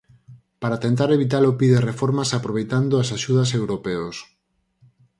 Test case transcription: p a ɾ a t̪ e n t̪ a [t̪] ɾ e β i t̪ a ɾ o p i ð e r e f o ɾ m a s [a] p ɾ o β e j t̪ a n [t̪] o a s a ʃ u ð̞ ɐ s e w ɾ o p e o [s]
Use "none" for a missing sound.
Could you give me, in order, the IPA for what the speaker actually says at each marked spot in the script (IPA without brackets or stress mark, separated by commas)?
none, a, d̪, s